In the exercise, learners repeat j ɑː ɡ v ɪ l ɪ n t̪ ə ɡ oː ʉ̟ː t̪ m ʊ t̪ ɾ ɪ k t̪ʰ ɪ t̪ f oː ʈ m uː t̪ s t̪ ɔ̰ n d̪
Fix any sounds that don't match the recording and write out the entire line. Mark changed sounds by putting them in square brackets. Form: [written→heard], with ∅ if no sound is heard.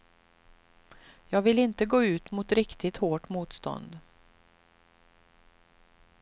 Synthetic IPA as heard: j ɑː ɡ v ɪ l ɪ n t̪ ə ɡ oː ʉ̟ː t̪ m ʊ t̪ ɾ ɪ k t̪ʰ ɪ t̪ [f→h] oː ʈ m uː t̪ s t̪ ɔ̰ n d̪